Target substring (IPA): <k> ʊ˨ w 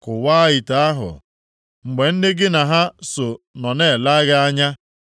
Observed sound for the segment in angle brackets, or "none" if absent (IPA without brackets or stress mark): k